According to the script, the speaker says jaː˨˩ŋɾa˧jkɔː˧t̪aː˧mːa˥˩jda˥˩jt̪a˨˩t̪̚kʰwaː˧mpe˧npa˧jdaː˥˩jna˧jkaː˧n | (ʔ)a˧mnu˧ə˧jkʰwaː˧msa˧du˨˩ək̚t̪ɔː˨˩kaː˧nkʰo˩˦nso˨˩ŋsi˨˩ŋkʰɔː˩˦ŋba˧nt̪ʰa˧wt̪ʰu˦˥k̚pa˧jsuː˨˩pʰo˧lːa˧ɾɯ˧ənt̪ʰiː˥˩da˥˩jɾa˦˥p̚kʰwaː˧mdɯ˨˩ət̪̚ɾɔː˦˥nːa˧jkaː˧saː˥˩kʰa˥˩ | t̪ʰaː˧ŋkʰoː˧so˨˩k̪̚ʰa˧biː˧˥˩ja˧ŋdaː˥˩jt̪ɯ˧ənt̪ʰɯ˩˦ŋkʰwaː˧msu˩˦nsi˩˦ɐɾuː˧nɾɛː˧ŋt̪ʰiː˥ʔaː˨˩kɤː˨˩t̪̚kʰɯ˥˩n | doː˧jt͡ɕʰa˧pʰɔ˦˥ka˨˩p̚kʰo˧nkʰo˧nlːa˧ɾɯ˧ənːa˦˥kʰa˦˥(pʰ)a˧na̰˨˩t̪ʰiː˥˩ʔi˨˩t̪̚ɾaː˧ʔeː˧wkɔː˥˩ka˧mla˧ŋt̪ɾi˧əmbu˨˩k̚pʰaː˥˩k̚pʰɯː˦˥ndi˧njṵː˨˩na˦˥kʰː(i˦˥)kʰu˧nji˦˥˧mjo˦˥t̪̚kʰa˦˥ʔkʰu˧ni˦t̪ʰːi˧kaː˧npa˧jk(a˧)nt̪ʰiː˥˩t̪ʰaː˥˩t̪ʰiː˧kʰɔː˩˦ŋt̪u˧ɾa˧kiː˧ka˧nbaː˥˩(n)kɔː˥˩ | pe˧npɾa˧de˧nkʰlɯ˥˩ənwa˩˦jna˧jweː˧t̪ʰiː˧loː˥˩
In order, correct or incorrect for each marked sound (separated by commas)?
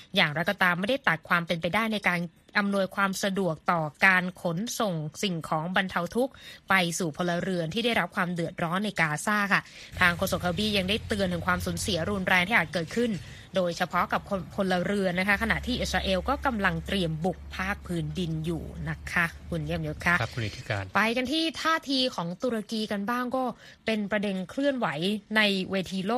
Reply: correct, incorrect, incorrect, correct, incorrect